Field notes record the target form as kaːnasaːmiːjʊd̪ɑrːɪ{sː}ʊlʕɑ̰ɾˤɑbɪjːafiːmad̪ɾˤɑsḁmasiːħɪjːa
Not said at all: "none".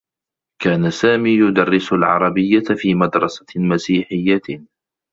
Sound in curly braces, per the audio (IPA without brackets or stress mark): s